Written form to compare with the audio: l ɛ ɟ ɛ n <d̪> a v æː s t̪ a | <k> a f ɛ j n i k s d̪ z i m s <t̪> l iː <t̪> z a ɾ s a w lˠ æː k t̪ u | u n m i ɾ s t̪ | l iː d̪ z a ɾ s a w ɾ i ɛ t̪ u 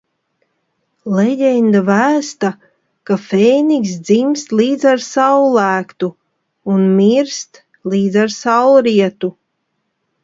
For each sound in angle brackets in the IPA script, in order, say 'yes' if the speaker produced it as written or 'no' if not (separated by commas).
yes, yes, yes, no